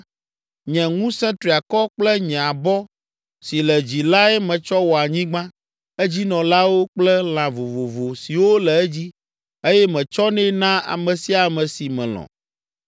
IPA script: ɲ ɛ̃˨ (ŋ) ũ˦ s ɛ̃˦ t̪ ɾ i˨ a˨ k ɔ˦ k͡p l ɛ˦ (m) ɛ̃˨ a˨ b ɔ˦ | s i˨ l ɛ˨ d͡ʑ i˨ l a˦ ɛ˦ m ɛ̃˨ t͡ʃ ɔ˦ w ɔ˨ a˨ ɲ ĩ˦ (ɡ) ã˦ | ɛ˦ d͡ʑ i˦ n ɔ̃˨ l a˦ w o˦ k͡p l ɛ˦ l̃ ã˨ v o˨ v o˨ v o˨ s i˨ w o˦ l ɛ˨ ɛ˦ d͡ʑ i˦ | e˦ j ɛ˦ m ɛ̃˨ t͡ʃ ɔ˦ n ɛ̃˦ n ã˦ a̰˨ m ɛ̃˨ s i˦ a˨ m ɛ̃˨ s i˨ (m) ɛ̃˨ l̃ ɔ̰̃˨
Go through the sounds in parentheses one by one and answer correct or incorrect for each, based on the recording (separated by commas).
correct, incorrect, incorrect, correct